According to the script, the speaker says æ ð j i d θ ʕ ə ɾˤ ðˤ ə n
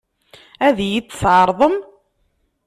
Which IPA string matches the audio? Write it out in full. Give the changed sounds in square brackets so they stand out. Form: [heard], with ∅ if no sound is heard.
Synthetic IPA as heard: æ ð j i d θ ʕ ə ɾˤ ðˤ ə [m]